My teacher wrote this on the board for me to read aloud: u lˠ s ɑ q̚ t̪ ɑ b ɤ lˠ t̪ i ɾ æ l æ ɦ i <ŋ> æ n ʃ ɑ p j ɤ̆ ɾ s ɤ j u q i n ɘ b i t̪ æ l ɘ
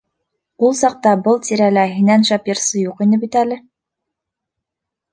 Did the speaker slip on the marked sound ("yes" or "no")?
yes